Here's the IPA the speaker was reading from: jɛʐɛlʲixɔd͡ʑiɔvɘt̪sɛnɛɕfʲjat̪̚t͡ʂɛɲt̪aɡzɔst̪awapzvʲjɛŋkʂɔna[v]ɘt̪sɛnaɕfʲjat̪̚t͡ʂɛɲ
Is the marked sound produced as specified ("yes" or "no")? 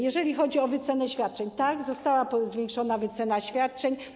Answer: yes